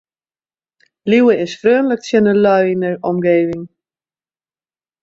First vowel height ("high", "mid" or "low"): high